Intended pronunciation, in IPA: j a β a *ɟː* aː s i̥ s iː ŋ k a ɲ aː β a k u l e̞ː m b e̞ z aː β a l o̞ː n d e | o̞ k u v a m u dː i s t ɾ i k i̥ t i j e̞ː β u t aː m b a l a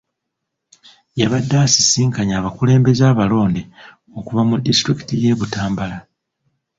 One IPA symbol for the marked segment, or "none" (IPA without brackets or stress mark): dː